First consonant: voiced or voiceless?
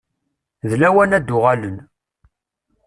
voiced